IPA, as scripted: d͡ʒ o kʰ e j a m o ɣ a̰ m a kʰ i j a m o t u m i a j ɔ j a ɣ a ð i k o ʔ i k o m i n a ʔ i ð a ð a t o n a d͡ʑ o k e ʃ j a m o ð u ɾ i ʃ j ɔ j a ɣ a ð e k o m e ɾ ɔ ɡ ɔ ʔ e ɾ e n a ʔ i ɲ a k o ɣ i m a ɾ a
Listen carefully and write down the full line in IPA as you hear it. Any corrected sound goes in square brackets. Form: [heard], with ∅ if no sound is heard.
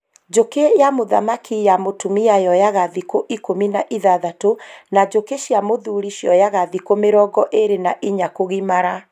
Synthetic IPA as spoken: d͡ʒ o [k] e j a m o [ð] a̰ m a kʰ i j a m o t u m i a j ɔ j a ɣ a ð i k o ʔ i k o m i n a ʔ i ð a ð a t o n a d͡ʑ o k e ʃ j a m o ð u ɾ i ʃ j ɔ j a ɣ a ð [i] k o m e ɾ ɔ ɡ ɔ ʔ e ɾ e n a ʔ i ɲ a k o ɣ i m a ɾ a